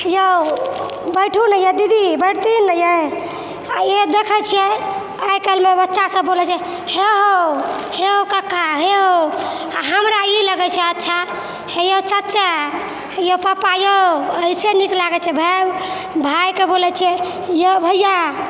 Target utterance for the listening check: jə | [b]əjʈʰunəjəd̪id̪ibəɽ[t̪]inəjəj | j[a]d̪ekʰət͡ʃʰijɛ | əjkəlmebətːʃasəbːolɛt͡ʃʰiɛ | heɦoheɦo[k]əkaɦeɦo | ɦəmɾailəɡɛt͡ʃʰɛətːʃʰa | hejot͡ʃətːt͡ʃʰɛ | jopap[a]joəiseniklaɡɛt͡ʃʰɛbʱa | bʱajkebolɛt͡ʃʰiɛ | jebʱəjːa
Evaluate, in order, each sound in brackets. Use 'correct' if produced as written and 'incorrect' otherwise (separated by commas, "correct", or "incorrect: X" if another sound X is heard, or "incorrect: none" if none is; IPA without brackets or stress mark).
correct, correct, incorrect: e, correct, correct